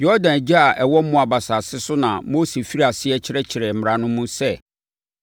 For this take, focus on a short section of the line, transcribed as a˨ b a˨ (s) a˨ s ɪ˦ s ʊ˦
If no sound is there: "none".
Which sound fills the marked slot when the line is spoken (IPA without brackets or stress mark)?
s